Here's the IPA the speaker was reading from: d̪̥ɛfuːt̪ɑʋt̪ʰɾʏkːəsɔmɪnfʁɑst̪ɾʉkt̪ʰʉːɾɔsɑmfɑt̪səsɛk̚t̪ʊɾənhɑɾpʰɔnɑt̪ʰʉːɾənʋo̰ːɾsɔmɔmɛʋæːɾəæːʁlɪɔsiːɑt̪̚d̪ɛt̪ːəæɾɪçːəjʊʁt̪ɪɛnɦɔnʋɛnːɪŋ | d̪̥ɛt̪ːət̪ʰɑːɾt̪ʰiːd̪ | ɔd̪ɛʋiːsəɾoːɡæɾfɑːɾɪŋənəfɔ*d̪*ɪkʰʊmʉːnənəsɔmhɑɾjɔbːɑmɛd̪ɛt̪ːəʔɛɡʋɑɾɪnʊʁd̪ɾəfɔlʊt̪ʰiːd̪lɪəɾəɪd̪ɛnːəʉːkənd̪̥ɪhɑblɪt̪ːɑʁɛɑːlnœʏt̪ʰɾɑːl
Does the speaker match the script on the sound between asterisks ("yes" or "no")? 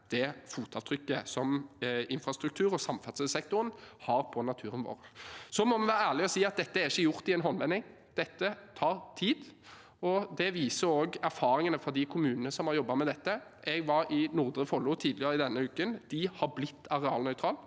yes